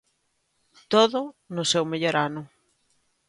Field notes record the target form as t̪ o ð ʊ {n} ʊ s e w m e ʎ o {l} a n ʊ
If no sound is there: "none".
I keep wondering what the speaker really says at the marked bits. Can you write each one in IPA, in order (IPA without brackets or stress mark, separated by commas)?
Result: n, ɾ